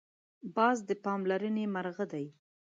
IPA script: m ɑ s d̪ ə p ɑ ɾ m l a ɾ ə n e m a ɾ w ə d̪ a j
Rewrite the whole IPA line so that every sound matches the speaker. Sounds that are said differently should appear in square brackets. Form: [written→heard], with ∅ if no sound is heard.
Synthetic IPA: [m→b] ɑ [s→z] d̪ ə p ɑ [ɾ→∅] m l a ɾ ə n e m a ɾ [w→ɣ] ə d̪ a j